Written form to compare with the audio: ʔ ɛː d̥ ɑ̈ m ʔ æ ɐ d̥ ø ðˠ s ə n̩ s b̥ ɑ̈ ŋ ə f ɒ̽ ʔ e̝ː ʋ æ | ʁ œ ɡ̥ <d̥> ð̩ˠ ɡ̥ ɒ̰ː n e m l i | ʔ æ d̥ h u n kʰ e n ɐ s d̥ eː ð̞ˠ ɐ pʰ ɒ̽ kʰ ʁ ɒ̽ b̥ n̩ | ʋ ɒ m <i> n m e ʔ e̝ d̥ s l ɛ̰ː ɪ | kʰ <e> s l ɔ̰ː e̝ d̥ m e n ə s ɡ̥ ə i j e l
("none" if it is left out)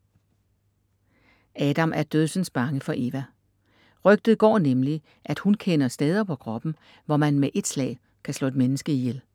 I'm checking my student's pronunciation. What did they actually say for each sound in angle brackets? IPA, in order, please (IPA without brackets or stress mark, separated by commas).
d̥, æ, æ